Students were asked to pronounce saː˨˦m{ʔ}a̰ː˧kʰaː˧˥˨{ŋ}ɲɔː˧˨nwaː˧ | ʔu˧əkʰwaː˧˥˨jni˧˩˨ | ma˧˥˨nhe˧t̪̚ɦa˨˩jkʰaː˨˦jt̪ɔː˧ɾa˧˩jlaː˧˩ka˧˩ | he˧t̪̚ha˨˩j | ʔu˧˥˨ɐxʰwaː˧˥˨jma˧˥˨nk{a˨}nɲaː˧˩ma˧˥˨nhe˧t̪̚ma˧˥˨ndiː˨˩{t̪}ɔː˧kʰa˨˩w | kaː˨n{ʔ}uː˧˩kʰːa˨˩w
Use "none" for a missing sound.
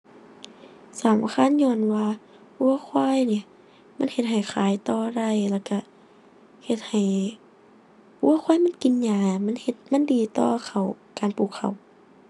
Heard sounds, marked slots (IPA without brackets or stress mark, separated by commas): ʔ, n, i˨, t̪, p